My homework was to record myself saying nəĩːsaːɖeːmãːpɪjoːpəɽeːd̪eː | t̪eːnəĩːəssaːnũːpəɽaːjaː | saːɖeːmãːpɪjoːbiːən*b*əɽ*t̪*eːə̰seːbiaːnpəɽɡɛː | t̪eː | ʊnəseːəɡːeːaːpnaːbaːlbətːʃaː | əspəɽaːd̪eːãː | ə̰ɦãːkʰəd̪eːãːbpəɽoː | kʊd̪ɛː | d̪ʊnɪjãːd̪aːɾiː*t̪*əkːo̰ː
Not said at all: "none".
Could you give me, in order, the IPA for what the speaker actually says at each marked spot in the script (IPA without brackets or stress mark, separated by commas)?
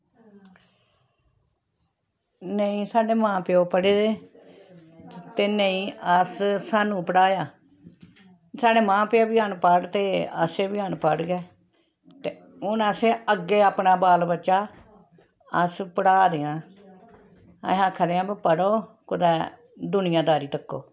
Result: p, t̪, t̪